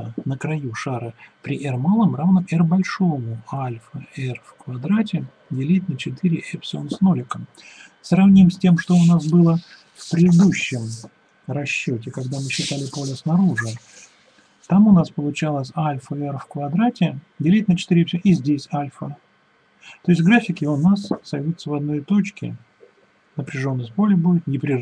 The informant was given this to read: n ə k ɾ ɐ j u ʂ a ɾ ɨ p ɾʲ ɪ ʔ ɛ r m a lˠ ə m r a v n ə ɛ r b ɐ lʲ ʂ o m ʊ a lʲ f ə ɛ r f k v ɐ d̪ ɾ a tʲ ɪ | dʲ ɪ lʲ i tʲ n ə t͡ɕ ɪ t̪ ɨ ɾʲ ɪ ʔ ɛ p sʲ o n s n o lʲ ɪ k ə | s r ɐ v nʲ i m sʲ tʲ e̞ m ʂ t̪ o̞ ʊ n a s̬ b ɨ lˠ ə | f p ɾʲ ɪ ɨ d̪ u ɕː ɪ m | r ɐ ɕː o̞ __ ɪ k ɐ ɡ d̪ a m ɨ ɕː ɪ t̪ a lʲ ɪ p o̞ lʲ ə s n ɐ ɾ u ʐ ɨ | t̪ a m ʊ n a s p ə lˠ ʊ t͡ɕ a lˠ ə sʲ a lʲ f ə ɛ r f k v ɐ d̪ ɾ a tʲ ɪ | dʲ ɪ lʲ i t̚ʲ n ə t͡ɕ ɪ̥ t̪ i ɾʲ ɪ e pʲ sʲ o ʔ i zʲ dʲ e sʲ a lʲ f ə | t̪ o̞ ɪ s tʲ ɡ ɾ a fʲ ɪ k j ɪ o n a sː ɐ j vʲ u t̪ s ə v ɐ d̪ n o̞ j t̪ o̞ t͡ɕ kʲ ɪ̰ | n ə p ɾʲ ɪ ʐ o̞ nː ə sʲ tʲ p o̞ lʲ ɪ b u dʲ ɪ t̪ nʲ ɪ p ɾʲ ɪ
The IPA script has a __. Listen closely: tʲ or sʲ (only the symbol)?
tʲ